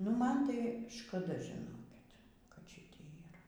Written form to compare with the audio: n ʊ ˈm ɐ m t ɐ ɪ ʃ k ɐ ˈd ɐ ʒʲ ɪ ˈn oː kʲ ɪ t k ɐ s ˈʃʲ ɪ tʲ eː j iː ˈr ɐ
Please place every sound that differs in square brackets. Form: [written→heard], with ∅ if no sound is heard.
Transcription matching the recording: n ʊ ˈm ɐ [m→n] t ɐ ɪ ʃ k ɐ ˈd ɐ ʒʲ ɪ ˈn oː kʲ ɪ t k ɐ [s→t] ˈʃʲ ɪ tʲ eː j iː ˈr ɐ